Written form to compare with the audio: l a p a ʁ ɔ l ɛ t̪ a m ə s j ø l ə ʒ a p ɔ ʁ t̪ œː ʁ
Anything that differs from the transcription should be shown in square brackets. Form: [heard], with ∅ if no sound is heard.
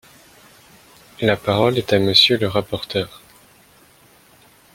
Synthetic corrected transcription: l a p a ʁ ɔ l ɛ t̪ a m ə s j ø l ə [ʁ] a p ɔ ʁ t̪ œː ʁ